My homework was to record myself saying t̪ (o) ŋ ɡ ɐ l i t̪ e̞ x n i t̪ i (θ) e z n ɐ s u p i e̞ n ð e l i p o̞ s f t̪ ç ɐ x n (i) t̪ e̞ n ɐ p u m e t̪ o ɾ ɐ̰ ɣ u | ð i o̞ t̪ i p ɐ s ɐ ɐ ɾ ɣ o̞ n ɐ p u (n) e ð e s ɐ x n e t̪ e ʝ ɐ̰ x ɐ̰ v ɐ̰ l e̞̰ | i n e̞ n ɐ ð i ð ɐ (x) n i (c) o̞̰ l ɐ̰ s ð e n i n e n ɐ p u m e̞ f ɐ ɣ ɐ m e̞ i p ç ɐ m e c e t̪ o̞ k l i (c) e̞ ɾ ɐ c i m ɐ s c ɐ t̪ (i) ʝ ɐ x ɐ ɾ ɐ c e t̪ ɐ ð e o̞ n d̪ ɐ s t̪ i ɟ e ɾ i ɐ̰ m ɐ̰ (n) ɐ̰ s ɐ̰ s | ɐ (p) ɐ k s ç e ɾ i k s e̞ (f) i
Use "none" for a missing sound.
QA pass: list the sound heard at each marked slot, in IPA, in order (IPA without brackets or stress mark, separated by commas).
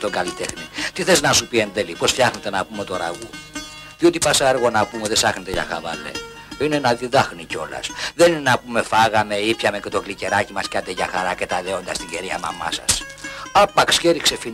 o, θ, e, m, x, c, c, e, m, p, f